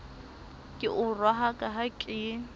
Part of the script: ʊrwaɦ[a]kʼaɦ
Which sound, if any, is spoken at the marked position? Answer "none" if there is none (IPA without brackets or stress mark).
a